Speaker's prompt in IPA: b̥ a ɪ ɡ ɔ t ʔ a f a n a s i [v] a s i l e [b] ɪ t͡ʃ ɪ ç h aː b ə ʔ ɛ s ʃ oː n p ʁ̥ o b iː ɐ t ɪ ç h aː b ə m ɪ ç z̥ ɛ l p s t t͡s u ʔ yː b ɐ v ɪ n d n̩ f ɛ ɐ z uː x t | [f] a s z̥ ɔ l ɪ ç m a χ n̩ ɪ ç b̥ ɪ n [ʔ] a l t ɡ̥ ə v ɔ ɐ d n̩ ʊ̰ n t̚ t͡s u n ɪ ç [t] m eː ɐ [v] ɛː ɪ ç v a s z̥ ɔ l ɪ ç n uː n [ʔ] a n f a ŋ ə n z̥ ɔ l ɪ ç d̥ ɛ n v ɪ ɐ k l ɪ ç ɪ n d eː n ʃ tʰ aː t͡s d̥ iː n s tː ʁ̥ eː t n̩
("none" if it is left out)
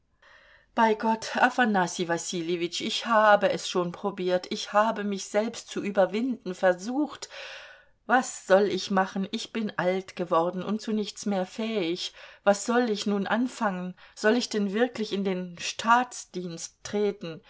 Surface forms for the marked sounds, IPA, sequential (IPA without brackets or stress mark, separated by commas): v, v, v, ʔ, t͡s, f, ʔ